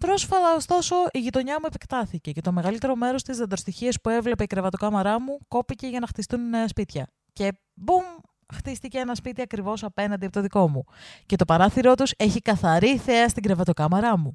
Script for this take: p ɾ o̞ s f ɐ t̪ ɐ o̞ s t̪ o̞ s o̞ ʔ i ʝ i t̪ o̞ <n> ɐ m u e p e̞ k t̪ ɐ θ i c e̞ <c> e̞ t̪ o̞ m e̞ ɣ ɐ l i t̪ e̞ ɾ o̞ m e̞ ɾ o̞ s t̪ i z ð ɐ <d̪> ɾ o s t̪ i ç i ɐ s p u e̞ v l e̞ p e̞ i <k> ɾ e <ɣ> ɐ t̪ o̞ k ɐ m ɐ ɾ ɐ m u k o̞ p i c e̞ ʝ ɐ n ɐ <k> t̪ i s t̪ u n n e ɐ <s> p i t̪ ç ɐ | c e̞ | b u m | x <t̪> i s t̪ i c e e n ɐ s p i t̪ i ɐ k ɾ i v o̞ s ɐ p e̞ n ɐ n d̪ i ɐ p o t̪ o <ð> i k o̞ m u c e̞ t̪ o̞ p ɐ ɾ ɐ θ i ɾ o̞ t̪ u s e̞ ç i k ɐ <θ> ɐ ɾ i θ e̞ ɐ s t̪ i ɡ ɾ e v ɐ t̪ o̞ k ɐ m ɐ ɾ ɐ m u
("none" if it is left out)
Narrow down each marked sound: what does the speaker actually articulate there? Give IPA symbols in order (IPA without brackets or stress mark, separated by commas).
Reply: ɲ, c, d̪, k, v, x, s, t̪, ð, θ